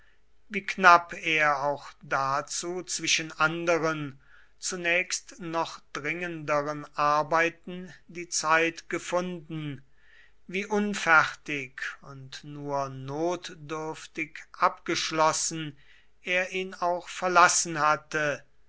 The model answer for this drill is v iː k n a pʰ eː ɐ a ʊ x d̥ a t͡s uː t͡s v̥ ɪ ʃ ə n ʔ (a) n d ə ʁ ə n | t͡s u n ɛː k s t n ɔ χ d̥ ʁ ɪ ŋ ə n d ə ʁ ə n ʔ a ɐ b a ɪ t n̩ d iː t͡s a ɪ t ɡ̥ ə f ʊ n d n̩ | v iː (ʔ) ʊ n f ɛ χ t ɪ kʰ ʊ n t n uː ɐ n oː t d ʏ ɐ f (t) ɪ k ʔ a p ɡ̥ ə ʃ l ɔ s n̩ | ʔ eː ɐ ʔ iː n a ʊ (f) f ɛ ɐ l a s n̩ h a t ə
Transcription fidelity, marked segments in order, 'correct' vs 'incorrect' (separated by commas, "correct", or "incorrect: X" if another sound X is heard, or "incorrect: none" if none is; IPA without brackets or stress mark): correct, correct, correct, incorrect: x